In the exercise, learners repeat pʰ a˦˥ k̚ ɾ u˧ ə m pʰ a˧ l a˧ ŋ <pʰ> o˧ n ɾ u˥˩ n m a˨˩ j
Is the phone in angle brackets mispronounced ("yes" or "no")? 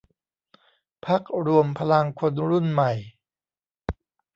yes